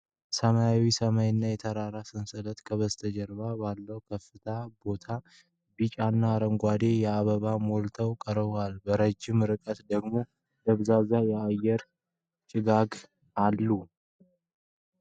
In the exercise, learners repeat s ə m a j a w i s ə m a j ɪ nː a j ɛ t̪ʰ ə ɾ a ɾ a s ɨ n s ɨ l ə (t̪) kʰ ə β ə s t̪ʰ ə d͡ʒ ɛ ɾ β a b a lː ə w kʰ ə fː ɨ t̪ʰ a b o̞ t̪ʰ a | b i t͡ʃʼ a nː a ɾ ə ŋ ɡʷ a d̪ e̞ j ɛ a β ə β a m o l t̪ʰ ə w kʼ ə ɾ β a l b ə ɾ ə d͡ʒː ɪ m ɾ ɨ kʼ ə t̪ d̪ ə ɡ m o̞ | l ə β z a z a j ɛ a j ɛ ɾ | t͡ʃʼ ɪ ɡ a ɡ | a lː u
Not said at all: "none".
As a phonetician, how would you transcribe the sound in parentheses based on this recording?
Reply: t̪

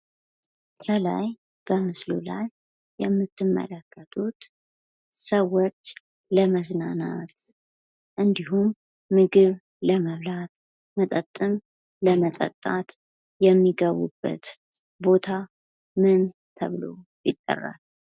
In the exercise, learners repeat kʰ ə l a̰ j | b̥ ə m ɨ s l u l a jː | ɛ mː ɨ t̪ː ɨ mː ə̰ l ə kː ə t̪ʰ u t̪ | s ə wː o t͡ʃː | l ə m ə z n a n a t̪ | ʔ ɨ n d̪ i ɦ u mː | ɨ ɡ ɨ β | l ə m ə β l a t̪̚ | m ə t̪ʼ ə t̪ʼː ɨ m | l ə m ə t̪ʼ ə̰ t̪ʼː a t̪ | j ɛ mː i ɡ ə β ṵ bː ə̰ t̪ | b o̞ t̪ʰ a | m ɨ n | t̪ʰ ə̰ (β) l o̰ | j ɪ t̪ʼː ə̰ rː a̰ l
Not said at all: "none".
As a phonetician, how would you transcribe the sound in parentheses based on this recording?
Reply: β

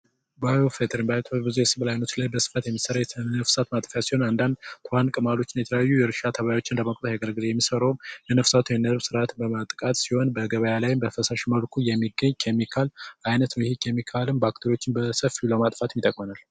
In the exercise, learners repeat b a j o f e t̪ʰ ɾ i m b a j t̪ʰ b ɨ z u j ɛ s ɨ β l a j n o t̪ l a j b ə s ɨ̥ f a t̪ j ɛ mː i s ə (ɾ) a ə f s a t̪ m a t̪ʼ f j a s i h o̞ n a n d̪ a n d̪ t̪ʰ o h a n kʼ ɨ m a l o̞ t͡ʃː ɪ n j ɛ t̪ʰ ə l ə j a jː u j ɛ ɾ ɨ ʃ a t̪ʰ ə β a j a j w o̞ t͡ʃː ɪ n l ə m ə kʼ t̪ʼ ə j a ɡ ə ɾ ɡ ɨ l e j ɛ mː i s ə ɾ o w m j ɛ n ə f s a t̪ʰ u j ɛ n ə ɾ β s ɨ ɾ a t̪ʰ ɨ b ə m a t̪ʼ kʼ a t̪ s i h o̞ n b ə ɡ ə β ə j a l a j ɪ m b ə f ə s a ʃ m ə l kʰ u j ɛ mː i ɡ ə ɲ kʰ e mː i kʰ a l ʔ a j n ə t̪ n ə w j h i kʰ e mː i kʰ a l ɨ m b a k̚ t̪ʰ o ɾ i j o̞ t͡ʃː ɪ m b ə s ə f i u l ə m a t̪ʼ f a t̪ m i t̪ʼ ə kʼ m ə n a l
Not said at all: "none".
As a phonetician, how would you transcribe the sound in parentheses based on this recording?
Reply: ɾ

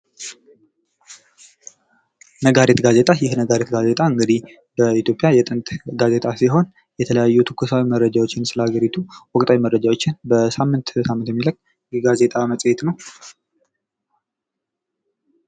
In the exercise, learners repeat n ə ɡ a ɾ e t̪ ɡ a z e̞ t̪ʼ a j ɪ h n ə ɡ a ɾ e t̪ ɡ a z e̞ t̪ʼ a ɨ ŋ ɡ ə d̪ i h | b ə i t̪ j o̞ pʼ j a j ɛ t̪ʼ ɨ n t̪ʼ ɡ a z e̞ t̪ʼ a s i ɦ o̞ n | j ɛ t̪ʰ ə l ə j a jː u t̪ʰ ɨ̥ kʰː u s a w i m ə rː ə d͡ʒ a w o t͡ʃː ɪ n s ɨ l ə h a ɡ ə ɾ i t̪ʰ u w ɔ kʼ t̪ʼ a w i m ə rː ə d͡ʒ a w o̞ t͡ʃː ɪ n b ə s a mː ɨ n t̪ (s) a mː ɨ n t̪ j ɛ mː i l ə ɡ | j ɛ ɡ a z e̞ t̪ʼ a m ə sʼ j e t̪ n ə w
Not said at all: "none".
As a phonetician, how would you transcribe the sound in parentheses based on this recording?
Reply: s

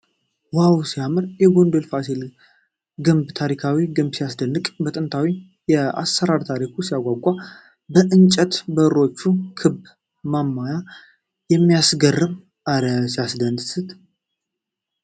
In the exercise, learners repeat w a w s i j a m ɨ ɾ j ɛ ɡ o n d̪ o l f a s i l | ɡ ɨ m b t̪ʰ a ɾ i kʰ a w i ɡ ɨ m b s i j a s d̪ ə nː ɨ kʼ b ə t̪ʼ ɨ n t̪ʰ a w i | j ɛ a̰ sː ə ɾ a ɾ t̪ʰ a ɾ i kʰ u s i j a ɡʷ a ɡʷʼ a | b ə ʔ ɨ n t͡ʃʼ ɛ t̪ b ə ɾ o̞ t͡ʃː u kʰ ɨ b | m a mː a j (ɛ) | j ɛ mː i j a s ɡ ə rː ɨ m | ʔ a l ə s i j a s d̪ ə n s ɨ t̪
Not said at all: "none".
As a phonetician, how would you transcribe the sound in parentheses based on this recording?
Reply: a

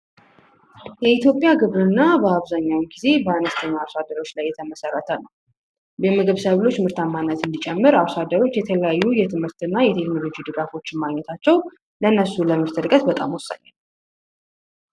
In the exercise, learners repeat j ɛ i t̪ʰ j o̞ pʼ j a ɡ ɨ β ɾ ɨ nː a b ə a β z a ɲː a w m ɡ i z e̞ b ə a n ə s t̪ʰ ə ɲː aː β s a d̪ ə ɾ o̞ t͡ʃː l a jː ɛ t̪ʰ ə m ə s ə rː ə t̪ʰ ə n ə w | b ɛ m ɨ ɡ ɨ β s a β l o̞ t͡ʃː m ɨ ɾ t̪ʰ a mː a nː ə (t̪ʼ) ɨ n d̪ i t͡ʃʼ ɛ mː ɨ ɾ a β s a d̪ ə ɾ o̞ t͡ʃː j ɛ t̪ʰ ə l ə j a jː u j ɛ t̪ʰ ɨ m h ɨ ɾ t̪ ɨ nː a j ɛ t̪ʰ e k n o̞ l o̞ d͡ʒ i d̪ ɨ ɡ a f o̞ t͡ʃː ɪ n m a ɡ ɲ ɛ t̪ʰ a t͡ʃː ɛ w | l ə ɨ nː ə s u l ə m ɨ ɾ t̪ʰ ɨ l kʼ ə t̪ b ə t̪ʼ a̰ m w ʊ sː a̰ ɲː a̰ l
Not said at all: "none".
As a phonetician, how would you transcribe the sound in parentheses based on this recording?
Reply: t̪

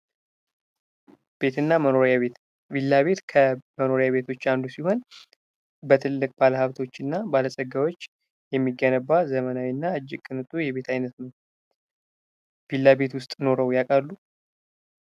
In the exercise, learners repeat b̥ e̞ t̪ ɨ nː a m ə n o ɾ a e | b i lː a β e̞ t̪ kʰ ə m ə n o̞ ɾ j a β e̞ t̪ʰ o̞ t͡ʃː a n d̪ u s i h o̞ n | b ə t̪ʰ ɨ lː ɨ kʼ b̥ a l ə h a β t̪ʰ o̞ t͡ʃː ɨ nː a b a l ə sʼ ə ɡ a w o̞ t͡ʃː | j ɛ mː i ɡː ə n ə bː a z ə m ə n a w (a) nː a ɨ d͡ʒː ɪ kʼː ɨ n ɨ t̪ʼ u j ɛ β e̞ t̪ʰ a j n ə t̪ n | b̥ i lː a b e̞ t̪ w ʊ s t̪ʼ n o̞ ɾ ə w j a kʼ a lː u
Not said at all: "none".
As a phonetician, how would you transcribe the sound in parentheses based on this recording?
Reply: i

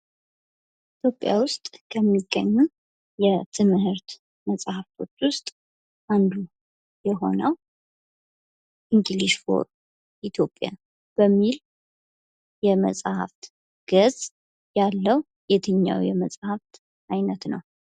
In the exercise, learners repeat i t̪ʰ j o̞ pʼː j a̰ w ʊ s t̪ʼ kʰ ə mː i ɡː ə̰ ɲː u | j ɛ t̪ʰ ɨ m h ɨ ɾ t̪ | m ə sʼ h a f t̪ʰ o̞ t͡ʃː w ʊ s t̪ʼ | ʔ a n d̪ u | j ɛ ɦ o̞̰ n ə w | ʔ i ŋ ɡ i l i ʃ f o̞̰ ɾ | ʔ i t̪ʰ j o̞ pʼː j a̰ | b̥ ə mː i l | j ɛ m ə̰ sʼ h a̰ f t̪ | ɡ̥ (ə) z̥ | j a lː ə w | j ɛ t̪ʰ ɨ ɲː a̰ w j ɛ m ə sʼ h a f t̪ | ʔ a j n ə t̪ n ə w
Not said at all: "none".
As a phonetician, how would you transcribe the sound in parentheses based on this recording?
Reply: ə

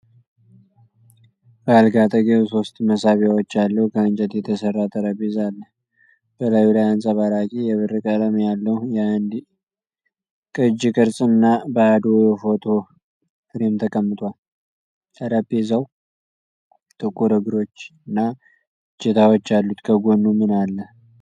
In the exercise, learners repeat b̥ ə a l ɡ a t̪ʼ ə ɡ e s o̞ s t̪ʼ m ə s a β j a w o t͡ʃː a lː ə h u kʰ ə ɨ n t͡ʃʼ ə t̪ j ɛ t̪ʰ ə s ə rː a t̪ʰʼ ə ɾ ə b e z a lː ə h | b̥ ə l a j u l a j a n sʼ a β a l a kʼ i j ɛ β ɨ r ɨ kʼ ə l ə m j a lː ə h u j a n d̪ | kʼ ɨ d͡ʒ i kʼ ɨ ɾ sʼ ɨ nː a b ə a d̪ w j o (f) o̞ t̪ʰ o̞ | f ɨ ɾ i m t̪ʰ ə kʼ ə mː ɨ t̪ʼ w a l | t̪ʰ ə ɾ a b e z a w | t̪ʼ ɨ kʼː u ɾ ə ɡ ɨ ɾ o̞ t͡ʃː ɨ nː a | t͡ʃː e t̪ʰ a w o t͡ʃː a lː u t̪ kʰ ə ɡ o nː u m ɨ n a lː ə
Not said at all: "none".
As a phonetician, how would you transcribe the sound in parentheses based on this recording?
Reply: f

